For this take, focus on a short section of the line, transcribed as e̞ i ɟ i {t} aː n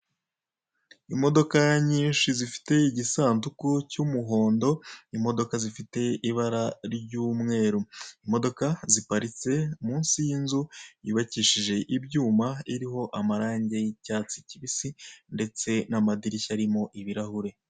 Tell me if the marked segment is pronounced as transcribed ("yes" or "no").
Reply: no